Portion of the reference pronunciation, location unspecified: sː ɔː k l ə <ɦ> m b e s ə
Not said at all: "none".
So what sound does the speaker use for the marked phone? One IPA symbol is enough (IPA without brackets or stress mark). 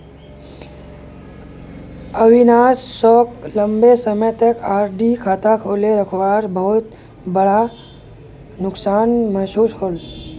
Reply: none